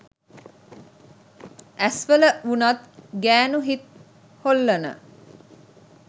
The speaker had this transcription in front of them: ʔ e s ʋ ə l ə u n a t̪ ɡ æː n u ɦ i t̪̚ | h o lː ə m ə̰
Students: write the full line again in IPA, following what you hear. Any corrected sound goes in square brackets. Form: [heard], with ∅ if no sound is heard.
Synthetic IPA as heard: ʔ [æ] s ʋ ə l ə u n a t̪ ɡ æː n u ɦ i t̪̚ | h o lː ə [n] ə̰